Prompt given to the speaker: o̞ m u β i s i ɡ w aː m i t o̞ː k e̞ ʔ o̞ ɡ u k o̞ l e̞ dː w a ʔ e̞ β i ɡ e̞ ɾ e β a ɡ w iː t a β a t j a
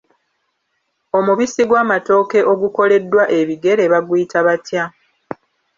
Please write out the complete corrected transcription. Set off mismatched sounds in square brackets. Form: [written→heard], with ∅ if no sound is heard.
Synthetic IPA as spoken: o̞ m u β i s i ɡ w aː m [i→a] t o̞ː k e̞ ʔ o̞ ɡ u k o̞ l e̞ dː w a ʔ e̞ β i ɡ e̞ ɾ e β a ɡ w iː t a β a t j a